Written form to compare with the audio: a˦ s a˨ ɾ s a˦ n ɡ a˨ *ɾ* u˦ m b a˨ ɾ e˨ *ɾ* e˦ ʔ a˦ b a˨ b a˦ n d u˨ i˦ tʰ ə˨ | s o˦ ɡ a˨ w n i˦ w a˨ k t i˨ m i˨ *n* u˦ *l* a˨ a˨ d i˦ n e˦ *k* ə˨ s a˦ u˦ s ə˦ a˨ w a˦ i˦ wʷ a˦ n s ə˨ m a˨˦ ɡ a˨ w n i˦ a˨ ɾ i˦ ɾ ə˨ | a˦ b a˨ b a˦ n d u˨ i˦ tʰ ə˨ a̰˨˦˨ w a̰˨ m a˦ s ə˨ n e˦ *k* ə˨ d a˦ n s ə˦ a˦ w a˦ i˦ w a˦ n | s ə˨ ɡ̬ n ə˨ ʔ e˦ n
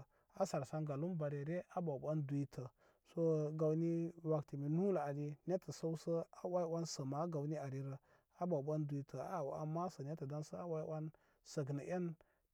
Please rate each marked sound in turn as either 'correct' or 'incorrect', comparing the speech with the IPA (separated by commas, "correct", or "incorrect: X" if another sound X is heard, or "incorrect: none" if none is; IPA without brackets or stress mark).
incorrect: l, correct, correct, correct, incorrect: t, incorrect: t